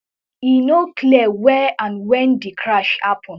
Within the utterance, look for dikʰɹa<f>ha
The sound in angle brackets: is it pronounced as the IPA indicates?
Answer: no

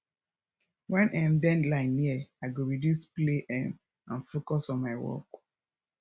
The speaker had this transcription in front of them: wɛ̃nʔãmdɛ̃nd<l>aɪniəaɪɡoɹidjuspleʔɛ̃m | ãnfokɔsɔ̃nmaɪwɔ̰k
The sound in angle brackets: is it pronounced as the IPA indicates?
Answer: yes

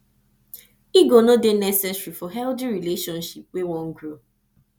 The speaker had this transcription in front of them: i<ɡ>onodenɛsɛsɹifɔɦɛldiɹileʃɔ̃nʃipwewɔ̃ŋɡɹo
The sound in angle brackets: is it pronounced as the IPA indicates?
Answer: yes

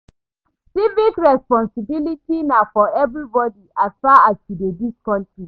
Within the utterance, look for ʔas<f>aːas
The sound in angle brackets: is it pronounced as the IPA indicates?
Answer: yes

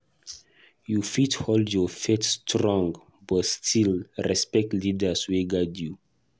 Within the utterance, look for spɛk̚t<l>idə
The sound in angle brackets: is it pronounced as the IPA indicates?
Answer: yes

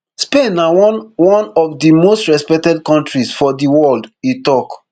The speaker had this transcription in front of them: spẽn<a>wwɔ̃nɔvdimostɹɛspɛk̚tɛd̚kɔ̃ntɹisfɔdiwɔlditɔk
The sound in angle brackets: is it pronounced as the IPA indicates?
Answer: yes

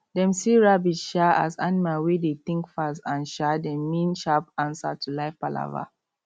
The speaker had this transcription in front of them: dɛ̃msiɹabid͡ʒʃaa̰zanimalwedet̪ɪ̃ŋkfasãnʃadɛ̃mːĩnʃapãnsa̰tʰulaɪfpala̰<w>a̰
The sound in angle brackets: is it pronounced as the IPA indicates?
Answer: no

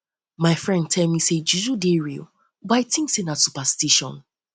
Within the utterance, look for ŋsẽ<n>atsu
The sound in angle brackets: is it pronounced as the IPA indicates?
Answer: yes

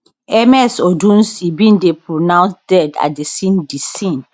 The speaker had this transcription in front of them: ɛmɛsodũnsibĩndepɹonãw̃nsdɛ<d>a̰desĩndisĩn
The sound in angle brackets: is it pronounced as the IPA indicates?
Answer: yes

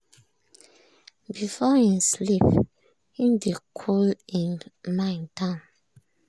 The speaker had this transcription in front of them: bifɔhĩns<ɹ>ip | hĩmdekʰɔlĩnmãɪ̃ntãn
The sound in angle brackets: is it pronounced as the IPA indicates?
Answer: no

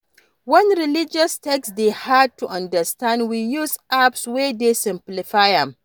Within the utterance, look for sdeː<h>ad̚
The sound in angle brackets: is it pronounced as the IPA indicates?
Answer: yes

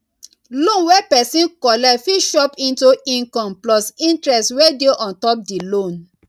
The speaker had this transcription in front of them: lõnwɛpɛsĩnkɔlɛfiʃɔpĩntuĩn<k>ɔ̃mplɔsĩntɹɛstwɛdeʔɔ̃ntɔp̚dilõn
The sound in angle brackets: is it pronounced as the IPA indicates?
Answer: yes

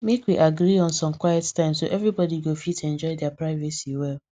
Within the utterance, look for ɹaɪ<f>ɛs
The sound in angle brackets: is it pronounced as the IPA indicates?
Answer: no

